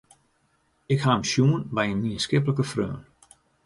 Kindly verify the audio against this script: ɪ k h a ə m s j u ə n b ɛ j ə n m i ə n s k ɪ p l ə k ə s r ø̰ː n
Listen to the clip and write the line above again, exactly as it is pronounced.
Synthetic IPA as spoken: ɪ k h a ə m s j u ə n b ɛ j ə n m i ə n s k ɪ p l ə k ə f r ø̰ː n